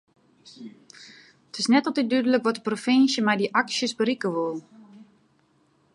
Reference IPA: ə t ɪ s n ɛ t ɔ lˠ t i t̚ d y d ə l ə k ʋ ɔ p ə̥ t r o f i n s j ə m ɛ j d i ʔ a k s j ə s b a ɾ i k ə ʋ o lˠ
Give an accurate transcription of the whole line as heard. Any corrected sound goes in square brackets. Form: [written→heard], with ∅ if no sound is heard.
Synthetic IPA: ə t ɪ s n ɛ t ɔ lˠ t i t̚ d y d ə l ə k ʋ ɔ [p→t] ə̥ [t→p] r o f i n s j ə m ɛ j d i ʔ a k s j ə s b [a→ə] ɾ i k ə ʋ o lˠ